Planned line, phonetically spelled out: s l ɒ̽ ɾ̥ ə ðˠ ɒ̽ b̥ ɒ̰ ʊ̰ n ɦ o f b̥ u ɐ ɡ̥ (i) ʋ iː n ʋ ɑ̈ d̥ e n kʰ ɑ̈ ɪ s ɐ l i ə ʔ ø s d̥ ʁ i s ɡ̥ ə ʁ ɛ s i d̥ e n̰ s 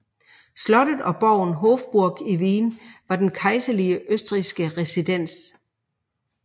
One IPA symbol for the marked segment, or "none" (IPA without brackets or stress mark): i